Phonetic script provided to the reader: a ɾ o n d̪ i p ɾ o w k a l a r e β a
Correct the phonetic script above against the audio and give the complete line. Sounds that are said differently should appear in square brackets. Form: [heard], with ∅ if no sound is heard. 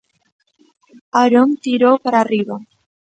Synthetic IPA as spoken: a ɾ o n [t̪] i [∅] ɾ o w [p] a [ɾ] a r [i] β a